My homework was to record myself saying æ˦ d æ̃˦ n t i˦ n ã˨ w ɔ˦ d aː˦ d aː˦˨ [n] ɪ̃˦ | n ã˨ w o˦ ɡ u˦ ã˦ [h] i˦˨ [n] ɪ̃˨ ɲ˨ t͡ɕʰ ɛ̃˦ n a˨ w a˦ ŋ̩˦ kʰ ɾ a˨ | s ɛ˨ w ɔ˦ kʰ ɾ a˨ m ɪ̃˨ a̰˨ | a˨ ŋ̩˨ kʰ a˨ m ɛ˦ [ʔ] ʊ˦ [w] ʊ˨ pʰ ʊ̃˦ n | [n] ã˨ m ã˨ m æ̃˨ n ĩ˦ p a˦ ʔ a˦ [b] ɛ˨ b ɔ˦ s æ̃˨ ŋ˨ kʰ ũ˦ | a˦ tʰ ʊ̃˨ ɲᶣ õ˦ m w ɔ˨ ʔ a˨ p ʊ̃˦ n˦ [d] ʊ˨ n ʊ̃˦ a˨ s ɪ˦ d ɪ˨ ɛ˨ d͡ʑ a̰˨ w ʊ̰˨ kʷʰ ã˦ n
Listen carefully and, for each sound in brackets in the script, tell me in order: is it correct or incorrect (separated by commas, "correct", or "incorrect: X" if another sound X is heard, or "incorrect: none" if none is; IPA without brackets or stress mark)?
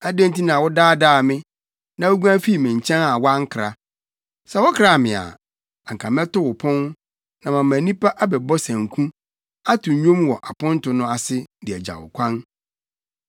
incorrect: m, incorrect: f, incorrect: m, incorrect: t, correct, correct, correct, incorrect: t